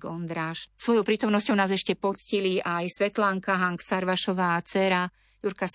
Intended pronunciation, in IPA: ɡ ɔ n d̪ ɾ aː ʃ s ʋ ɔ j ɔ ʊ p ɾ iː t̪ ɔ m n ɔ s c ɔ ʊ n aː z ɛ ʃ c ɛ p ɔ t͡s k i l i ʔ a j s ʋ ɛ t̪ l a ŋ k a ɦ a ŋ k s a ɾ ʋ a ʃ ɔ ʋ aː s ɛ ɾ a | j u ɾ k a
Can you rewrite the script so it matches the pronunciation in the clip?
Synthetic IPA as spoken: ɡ ɔ n d̪ ɾ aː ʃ s ʋ ɔ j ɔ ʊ p ɾ iː t̪ ɔ m n ɔ s c ɔ ʊ n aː z ɛ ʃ c ɛ p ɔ t͡s c i l i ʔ a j s ʋ ɛ t̪ l a ŋ k a ɦ a ŋ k s a ɾ ʋ a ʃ ɔ ʋ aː t͡s ɛ ɾ a | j u ɾ k a